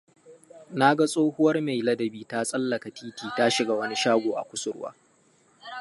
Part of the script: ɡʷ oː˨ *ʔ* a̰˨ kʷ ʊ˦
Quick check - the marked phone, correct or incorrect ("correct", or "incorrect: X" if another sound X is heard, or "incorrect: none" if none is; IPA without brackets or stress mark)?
correct